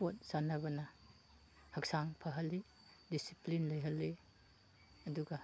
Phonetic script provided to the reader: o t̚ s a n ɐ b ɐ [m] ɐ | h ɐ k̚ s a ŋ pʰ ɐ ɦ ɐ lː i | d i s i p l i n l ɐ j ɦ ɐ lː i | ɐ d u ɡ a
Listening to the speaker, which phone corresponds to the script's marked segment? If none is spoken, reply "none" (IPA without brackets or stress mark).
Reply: n